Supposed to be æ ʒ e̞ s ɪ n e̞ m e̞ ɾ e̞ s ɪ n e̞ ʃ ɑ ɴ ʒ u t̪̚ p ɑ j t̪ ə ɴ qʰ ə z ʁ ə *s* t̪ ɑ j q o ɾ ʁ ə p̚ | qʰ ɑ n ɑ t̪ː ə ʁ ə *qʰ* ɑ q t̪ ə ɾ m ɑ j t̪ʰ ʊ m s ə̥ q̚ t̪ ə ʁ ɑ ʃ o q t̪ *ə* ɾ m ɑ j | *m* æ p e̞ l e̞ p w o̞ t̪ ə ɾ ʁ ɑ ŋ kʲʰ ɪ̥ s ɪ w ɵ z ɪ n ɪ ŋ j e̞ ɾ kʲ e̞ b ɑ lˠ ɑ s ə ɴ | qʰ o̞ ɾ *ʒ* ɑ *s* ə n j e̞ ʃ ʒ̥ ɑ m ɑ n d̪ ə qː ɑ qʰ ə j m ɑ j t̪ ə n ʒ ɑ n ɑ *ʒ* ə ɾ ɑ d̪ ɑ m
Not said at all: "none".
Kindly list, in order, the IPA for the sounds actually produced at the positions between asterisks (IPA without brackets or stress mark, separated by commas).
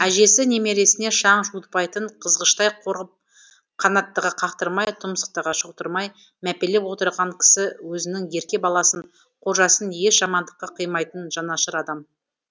ʃ, qʰ, ə, m, ʒ, s, ʃ